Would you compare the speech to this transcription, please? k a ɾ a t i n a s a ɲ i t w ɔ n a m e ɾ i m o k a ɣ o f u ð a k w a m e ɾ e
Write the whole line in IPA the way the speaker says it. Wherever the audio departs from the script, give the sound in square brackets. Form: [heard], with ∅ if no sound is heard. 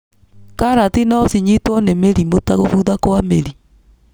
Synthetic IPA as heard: k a ɾ a t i n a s [i] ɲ i t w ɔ n [e] m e ɾ i m o [t] a ɣ o f u ð a k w a m e ɾ [i]